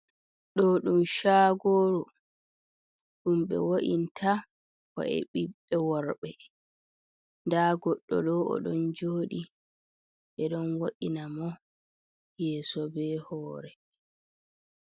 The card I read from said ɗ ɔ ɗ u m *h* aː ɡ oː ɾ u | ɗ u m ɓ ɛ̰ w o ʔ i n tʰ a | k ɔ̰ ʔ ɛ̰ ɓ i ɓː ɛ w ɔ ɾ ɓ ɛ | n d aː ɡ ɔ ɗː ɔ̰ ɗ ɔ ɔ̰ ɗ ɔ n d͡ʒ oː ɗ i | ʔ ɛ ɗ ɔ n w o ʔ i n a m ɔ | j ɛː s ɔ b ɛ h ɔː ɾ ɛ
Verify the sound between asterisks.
incorrect: ʃ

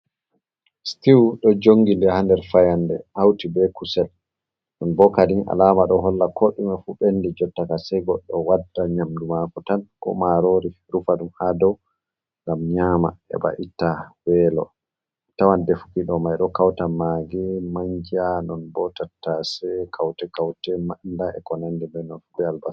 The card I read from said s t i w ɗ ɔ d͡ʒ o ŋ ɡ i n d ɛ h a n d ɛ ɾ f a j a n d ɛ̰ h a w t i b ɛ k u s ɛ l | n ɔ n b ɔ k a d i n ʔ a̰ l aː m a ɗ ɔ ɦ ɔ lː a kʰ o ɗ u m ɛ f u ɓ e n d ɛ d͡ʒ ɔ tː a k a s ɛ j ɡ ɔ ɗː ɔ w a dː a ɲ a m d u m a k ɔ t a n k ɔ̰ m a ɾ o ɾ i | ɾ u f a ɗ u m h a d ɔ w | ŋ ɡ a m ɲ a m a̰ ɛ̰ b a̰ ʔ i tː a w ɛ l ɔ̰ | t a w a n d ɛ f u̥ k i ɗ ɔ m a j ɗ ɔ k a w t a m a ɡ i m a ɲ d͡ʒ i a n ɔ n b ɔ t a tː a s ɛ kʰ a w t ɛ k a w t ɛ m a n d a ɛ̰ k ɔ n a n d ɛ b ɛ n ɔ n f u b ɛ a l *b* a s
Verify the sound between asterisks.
correct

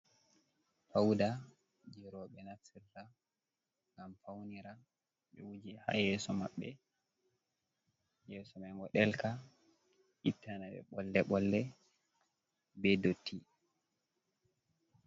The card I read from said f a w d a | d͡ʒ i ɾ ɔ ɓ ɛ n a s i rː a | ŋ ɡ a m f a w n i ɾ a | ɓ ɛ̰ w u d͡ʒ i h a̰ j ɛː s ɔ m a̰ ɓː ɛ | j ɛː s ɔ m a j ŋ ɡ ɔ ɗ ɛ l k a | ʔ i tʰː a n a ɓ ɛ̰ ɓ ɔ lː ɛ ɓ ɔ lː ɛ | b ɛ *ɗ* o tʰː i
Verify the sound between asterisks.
incorrect: d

